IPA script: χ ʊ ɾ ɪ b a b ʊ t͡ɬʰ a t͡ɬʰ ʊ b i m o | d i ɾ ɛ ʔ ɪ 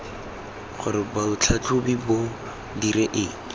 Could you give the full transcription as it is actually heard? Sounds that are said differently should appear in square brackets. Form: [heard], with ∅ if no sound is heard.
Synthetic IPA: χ ʊ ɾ ɪ b a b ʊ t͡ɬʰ a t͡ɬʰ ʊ b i [b] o | d i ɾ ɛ ʔ ɪ